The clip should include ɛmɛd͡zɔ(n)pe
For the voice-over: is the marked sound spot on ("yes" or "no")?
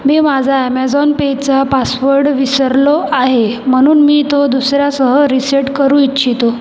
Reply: yes